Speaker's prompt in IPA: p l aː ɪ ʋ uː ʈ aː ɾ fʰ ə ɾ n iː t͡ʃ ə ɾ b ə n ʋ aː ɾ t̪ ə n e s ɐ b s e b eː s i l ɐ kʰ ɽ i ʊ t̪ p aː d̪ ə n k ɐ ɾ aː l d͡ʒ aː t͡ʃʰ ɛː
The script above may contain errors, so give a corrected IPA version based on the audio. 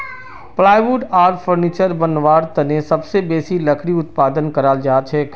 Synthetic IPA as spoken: p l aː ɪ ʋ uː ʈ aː ɾ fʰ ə ɾ n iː t͡ʃ ə ɾ b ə n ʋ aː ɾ t̪ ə n e s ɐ b s e b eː s i l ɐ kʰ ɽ i ʊ t̪ p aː d̪ ə n k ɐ ɾ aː l d͡ʒ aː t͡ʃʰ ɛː

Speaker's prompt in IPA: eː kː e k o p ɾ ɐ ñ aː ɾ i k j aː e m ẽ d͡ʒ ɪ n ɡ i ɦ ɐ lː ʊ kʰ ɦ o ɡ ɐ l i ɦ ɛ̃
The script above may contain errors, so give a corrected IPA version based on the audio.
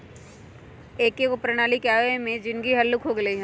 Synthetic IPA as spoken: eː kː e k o p ɾ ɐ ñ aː l i k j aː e m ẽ d͡ʒ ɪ n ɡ i ɦ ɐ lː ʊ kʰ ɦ o ɡ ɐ l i ɦ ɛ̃

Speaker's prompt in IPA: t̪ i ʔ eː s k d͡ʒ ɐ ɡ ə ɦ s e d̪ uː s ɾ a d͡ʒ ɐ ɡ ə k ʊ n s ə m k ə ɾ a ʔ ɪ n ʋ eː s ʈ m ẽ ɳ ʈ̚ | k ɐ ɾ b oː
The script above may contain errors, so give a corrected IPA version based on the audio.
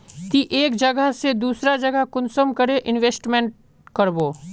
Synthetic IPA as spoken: t̪ i ʔ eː k d͡ʒ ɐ ɡ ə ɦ s e d̪ uː s ɾ a d͡ʒ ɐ ɡ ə k ʊ n s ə m k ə ɾ e ʔ ɪ n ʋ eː s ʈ m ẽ ɳ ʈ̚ | k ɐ ɾ b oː

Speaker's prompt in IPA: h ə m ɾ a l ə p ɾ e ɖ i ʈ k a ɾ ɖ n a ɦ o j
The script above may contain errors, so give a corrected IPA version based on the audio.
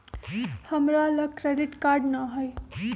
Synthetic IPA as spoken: h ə m ɾ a l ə k ɾ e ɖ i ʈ k a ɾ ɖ n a ɦ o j

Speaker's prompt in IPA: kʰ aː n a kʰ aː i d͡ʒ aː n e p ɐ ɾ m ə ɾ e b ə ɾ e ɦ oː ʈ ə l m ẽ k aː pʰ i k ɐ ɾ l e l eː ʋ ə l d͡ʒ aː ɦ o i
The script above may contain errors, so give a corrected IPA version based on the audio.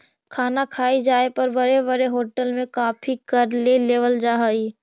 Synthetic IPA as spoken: kʰ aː n a kʰ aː i d͡ʒ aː e p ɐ ɾ b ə ɾ e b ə ɾ e ɦ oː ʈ ə l m ẽ k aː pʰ i k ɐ ɾ l e l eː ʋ ə l d͡ʒ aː ɦ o i

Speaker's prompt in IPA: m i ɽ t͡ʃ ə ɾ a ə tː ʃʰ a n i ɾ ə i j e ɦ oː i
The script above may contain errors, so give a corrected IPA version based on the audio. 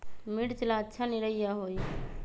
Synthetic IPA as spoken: m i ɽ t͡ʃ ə l a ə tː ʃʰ a n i ɾ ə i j a ɦ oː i

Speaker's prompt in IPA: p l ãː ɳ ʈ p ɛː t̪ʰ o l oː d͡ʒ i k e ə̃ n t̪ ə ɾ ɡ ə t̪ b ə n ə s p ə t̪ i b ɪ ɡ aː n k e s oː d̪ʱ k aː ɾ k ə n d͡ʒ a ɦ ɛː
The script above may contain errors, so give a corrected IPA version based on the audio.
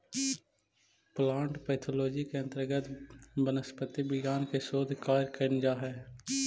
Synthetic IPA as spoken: p l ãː ɳ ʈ p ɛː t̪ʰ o l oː d͡ʒ i k e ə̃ n t̪ ə ɾ ɡ ə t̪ b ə n ə s p ə t̪ i b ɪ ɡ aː n k e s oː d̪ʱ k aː ɾ k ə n d͡ʒ a ɦ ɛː

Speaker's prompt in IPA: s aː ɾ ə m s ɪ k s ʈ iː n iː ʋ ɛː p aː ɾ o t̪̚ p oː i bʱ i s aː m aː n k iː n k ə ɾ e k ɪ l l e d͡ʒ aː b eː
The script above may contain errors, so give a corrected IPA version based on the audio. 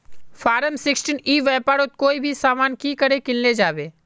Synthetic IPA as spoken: f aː ɾ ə m s ɪ k s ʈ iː n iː ʋ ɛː p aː ɾ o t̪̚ k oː i bʱ i s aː m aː n k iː k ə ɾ e k ɪ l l e d͡ʒ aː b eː

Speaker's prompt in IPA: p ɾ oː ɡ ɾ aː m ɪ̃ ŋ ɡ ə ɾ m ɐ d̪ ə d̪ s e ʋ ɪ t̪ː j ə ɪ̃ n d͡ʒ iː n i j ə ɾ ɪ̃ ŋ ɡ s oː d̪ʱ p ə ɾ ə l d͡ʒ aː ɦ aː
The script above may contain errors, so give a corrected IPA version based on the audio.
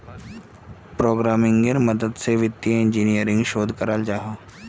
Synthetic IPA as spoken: p ɾ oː ɡ ɾ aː m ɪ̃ ŋ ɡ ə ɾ m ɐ d̪ ə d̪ s e ʋ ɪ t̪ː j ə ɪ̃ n d͡ʒ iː n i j ə ɾ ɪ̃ ŋ ɡ ʃ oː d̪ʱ k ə ɾ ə l d͡ʒ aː ɦ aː

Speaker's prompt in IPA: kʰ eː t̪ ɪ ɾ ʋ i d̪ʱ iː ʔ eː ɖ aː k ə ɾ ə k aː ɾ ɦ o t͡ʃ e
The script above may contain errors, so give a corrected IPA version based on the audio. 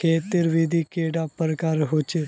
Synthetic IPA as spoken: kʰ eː t̪ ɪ ɾ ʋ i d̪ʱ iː k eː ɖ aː p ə ɾ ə k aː ɾ ɦ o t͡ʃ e

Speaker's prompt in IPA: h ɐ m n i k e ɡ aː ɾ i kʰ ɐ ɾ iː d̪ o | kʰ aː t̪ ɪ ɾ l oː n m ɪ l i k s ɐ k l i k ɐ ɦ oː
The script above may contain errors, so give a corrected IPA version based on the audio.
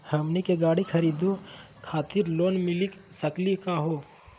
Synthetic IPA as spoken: h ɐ m n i k e ɡ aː ɽ i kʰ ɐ ɾ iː d̪ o | kʰ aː t̪ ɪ ɾ l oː n m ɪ l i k s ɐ k l i k a ɦ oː

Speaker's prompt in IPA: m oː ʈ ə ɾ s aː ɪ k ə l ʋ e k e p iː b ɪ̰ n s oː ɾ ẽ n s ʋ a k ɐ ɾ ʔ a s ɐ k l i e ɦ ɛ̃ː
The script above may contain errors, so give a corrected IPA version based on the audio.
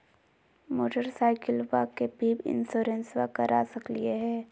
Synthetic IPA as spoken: m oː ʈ ə ɾ s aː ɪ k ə l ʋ a k e p iː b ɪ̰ n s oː ɾ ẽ n s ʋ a k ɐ ɾ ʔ a s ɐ k l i e ɦ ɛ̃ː

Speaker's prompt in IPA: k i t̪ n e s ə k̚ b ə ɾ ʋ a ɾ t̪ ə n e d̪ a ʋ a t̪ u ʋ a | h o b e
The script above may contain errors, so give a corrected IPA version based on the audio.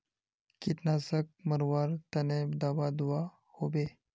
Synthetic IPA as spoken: k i t̪ n a s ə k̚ m ə ɾ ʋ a ɾ t̪ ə n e d̪ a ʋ a d̪ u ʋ a | h o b e

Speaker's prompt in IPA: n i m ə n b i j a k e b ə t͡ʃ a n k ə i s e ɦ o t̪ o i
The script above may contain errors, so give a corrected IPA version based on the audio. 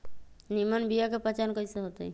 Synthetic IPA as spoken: n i m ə n b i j a k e p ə t͡ʃ a n k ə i s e ɦ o t̪ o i

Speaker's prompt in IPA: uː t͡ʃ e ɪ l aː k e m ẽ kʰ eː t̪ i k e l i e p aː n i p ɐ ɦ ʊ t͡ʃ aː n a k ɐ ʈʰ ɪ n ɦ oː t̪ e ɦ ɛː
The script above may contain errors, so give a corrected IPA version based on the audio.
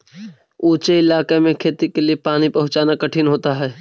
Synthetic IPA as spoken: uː t͡ʃ e ɪ l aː k e m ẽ kʰ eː t̪ i k e l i e p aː n i p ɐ ɦ ʊ t͡ʃ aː n a k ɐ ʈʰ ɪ n ɦ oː t̪ a ɦ ɛː

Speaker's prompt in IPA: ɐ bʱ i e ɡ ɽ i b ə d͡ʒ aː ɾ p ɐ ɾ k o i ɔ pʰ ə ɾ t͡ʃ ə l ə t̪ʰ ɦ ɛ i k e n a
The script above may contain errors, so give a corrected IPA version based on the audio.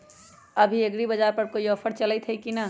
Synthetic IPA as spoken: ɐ bʱ i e ɡ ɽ i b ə d͡ʒ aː ɾ p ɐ ɾ k o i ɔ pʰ ə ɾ t͡ʃ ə l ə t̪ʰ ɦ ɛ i k i n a

